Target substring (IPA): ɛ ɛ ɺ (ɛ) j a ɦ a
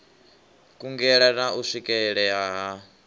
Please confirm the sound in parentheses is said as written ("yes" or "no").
yes